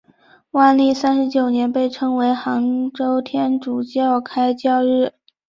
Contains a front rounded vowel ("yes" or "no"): no